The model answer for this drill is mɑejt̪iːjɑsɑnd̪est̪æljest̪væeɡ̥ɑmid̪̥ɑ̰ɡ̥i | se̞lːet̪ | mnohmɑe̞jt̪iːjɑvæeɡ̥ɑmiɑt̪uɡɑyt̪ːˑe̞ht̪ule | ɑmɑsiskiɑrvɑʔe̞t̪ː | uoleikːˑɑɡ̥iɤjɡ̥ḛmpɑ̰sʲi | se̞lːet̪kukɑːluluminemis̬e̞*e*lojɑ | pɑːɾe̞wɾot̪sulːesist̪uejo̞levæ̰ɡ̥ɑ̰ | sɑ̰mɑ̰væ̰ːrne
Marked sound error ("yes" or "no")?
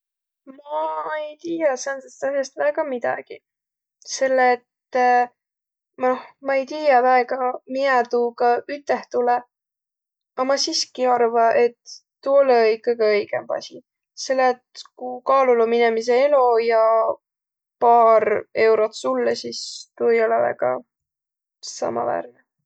no